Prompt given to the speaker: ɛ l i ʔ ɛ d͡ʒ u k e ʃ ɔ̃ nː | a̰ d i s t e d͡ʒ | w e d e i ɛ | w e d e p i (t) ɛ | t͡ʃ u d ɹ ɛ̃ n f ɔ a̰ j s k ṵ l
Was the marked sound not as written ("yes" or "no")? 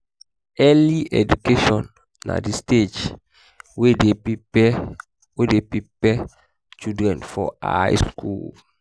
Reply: yes